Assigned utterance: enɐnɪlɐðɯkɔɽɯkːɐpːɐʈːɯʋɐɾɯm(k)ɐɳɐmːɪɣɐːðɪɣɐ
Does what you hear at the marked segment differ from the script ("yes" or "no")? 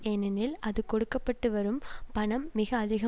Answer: yes